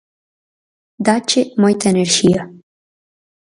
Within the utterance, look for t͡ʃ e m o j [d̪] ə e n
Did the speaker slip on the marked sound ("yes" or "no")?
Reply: yes